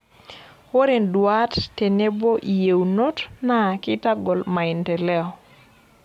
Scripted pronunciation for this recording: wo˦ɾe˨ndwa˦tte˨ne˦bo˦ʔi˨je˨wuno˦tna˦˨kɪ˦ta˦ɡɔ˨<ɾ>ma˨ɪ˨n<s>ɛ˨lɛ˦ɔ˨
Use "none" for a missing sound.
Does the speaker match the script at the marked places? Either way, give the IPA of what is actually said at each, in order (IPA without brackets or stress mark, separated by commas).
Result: l, t